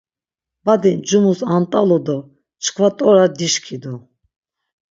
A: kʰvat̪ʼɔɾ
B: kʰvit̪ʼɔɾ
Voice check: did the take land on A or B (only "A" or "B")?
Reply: A